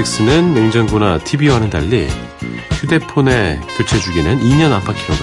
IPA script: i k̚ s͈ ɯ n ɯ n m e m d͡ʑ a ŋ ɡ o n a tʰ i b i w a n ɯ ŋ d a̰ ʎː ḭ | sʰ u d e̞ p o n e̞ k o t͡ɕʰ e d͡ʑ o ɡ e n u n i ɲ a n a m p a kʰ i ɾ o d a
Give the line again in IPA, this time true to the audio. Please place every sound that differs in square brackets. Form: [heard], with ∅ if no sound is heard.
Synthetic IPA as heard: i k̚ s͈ ɯ n ɯ n m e [ŋ] d͡ʑ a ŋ ɡ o n a tʰ i b i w a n ɯ [n] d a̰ ʎː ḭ | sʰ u d e̞ [pʰ] o n e̞ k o t͡ɕʰ e d͡ʑ [u] ɡ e n [ɯ] n i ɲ [ʌ] n a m [pʰ] a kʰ i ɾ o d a